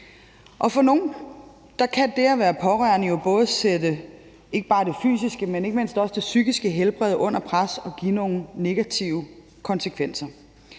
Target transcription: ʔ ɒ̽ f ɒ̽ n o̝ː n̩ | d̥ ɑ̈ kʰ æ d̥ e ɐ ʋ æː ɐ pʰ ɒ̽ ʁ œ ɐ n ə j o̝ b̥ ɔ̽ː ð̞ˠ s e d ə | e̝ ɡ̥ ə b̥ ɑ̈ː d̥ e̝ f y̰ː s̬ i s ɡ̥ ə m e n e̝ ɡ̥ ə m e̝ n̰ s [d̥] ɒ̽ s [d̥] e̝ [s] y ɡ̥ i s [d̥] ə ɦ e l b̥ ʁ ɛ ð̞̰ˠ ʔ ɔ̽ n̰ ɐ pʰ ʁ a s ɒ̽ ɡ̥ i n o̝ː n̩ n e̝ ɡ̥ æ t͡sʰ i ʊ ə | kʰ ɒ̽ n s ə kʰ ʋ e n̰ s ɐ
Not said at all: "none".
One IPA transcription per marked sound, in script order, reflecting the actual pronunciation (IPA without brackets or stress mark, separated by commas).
d̥, d̥, s, ɡ̥